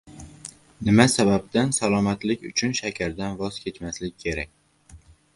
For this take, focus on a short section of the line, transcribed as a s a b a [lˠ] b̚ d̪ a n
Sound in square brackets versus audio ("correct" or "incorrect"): incorrect